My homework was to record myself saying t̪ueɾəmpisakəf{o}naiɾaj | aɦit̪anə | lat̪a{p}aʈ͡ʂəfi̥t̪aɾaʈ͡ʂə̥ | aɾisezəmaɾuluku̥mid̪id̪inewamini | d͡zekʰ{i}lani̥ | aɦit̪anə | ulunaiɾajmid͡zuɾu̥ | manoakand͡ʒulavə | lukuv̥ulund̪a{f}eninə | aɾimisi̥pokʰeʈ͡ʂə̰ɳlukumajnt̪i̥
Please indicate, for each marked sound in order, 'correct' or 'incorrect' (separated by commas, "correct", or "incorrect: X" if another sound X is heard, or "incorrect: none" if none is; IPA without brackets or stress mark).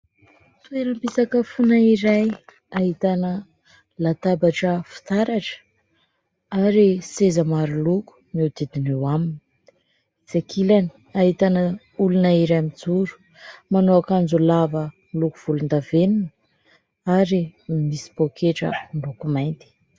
incorrect: u, incorrect: b, correct, incorrect: v